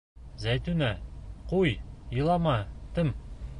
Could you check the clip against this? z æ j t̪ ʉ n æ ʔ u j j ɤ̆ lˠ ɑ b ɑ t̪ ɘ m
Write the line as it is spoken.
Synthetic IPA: z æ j t̪ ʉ n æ q u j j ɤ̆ lˠ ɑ m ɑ t̪ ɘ m